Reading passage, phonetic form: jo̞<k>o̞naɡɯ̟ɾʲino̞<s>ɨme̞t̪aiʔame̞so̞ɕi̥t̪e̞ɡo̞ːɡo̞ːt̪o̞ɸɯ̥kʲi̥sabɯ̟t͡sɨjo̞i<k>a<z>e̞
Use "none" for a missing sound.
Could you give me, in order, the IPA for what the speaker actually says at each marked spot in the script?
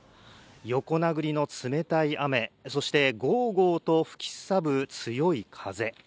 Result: k, t͡s, kʰ, z

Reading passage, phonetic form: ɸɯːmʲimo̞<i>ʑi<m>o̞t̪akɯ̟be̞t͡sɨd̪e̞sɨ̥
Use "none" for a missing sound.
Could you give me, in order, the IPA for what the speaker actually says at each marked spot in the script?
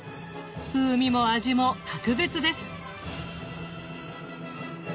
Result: a, m

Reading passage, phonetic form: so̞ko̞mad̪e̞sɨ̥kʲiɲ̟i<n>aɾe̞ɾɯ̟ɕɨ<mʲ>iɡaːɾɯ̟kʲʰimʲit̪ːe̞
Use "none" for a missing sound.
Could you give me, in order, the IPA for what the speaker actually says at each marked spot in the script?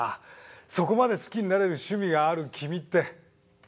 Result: n, mʲ

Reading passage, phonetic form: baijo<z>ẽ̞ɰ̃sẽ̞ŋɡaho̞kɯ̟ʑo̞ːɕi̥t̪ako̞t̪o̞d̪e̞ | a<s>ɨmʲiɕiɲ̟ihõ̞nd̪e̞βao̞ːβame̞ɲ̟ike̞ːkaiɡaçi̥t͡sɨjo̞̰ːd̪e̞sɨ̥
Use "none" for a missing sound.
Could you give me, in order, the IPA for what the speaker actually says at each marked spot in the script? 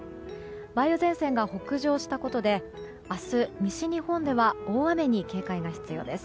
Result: z, s

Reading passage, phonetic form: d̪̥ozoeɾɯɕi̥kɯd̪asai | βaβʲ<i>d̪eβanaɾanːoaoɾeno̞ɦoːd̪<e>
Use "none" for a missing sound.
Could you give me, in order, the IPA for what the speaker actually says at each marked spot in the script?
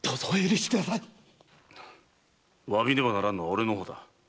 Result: i, a

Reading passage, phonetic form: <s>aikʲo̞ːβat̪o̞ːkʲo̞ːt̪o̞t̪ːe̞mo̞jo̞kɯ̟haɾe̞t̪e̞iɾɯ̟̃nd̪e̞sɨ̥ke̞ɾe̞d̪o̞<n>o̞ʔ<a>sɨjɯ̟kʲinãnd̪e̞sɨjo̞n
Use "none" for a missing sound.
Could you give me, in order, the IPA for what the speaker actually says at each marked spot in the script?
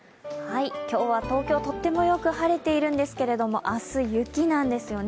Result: h, m, a

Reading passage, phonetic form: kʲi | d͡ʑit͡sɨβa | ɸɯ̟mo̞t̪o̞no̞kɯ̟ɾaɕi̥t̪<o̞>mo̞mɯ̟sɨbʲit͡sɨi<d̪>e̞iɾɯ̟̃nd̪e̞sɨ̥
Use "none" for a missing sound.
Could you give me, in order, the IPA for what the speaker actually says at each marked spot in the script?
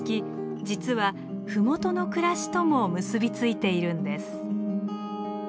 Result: o̞, t̪

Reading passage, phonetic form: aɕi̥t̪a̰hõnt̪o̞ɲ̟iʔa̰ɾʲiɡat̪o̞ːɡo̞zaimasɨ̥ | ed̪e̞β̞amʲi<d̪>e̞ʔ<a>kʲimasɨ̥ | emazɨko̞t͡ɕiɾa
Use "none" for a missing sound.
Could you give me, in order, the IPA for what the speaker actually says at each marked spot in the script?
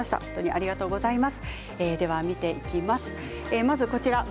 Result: t̪, i

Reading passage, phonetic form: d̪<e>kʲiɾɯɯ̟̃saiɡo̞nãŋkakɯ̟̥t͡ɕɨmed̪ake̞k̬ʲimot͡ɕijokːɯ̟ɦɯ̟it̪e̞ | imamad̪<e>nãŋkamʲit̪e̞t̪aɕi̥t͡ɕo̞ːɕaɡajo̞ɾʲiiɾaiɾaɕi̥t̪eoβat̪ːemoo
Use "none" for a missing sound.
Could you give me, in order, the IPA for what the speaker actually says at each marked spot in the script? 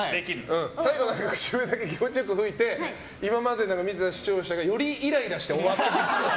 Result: e, e

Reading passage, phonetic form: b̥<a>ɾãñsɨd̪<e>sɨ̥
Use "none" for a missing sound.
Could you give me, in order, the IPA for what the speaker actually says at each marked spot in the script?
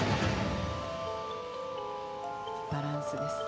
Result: a, e

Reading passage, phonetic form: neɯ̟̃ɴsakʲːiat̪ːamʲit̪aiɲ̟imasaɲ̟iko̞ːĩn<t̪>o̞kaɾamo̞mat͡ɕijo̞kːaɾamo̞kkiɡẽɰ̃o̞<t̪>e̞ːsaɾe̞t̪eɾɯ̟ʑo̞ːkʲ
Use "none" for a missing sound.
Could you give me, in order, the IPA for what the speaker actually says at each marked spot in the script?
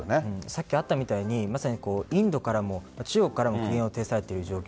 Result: d̪, t̪

